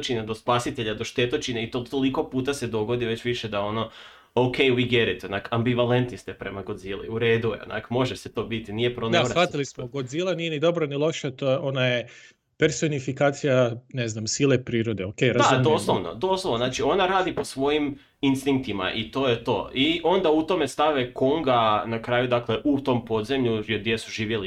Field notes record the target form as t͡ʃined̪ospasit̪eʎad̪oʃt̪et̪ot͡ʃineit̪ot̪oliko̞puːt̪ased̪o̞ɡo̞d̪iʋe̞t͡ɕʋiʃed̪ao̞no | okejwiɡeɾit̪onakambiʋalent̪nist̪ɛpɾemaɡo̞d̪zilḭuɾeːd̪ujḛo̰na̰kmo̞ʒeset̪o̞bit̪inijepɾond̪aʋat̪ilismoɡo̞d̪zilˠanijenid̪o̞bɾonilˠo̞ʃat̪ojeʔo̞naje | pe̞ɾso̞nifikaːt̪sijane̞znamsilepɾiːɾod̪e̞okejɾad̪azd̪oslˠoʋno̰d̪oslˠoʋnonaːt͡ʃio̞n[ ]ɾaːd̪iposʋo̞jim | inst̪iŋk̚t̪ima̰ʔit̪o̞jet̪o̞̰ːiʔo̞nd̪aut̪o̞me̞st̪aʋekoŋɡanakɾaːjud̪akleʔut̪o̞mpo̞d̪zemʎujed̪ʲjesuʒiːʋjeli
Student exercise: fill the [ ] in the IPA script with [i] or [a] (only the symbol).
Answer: a